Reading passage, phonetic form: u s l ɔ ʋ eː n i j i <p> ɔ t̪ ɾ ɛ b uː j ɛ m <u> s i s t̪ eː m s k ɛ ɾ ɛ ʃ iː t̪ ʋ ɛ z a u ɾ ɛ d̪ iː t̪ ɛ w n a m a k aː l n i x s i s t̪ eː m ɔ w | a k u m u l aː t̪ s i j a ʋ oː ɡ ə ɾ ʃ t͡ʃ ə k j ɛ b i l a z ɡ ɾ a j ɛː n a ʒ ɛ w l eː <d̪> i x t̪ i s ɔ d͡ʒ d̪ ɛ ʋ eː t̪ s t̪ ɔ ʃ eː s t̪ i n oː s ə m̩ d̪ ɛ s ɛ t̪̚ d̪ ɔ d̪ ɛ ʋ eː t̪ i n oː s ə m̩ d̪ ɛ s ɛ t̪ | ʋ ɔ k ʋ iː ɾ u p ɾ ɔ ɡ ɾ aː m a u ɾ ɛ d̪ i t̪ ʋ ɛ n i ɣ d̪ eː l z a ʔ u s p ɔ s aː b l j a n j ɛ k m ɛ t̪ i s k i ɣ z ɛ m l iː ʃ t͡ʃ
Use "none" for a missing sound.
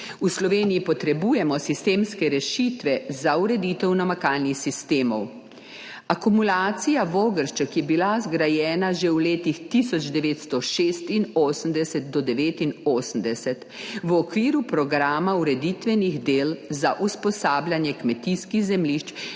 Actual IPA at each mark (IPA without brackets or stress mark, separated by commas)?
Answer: p, ɔ, t̪